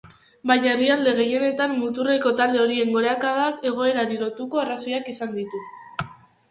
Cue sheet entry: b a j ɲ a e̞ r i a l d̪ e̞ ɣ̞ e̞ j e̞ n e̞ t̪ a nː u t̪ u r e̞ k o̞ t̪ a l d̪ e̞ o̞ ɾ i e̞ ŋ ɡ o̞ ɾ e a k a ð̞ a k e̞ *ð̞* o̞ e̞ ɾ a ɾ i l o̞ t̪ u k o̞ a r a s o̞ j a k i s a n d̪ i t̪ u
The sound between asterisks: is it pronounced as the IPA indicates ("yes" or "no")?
no